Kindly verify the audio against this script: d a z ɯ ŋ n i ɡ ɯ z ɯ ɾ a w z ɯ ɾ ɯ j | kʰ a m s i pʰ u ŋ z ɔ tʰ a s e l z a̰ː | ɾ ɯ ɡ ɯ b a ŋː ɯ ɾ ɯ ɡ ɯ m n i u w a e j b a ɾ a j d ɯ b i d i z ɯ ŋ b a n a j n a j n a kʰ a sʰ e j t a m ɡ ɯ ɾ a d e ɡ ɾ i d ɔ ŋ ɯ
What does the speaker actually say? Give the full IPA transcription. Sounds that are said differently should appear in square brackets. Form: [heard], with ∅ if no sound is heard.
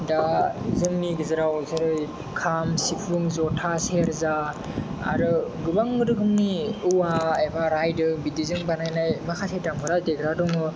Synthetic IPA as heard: d a z ɯ ŋ n i ɡ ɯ z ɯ ɾ a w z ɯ ɾ ɯ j | kʰ a m s i pʰ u ŋ z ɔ tʰ a s e [ɾ] z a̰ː | ɾ ɯ ɡ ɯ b a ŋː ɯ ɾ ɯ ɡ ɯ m n i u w a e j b a ɾ a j d ɯ b i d i z ɯ ŋ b a n a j n a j [m] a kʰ a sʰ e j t a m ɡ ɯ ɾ a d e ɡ ɾ [a] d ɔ ŋ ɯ